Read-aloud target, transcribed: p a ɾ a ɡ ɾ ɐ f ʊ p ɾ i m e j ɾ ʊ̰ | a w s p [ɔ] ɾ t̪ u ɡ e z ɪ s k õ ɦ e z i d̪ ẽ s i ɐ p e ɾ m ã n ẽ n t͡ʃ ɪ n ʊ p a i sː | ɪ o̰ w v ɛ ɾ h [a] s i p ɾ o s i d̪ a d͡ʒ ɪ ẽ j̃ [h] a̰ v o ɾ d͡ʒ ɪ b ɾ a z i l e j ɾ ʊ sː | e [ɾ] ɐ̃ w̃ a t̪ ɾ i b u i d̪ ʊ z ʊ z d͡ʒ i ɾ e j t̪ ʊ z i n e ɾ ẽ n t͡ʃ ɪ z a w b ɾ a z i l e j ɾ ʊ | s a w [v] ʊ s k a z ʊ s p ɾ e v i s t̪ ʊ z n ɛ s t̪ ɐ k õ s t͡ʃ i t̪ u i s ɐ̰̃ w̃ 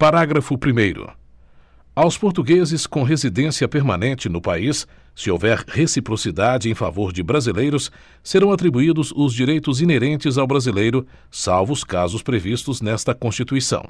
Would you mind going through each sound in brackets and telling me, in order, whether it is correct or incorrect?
incorrect, incorrect, incorrect, correct, correct

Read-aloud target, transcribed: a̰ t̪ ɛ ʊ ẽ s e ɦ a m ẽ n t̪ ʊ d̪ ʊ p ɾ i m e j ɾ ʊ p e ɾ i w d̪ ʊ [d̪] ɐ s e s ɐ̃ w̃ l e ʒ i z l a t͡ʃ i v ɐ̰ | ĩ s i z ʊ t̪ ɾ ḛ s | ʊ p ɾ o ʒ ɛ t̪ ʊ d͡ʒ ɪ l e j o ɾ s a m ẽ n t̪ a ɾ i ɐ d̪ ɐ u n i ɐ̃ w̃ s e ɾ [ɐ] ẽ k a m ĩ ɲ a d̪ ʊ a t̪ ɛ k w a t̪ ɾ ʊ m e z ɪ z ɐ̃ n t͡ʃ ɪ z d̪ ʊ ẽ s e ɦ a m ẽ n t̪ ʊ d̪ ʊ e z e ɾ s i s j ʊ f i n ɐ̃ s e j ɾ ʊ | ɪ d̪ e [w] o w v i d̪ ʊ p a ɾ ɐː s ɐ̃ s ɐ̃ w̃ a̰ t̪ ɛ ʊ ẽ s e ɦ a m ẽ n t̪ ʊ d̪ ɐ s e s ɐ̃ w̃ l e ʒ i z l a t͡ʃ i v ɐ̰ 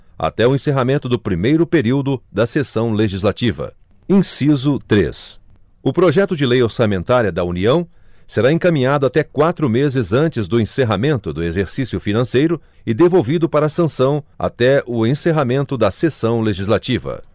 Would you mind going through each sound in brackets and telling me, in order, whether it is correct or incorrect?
correct, incorrect, incorrect

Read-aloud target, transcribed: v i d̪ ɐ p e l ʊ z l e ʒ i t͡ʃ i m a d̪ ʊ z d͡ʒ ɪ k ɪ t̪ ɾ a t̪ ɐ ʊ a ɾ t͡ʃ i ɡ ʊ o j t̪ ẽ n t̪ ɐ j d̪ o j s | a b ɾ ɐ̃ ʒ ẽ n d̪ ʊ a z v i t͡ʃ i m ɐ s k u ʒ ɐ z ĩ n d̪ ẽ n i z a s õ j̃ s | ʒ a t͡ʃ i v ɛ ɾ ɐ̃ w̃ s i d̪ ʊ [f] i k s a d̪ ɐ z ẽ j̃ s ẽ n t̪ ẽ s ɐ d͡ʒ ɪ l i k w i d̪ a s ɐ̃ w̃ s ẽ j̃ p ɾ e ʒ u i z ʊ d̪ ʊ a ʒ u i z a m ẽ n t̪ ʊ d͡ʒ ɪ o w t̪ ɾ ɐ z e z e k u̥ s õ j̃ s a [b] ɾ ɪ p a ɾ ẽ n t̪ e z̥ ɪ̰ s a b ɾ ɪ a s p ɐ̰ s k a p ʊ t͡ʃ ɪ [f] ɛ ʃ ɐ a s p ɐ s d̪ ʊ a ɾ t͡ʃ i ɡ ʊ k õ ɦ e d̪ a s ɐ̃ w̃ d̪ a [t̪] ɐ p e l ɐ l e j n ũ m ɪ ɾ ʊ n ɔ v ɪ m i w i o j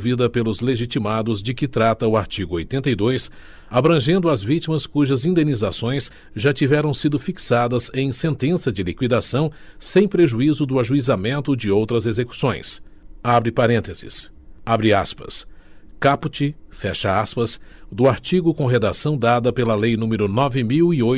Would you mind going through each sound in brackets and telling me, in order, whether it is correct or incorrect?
correct, correct, correct, incorrect

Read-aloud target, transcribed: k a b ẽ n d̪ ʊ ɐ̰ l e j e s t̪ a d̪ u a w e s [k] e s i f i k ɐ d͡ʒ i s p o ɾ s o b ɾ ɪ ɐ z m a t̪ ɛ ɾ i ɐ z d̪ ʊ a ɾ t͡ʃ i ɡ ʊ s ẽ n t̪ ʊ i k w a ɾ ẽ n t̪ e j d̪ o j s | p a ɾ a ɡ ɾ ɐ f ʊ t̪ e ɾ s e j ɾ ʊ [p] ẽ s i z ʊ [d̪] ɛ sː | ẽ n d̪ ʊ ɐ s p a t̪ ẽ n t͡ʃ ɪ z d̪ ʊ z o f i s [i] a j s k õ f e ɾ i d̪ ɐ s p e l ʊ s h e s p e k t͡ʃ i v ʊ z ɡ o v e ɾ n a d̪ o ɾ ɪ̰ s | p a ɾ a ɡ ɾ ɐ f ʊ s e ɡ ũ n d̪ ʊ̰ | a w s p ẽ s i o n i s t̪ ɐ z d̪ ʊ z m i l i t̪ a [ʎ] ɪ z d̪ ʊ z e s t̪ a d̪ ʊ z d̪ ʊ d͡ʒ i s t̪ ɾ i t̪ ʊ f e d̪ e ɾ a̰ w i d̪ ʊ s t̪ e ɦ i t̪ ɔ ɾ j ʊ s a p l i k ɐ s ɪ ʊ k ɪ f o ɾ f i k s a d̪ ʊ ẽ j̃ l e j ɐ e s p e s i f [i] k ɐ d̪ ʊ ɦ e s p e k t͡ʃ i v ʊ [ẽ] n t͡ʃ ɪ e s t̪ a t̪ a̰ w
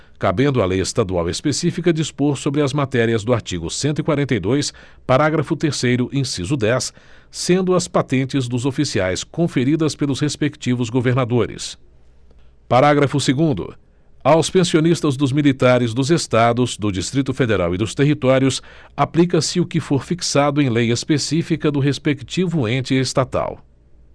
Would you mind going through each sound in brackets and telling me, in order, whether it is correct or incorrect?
incorrect, incorrect, correct, correct, incorrect, correct, correct

